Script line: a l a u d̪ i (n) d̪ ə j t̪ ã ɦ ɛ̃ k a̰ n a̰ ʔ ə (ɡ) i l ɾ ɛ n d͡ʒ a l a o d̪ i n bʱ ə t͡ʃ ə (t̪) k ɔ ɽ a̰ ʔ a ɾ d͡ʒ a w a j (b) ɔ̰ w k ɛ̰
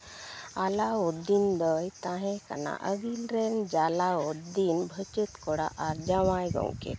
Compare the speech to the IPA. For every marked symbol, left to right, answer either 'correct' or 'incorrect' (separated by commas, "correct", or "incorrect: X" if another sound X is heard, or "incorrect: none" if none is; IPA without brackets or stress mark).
correct, correct, correct, incorrect: ɡ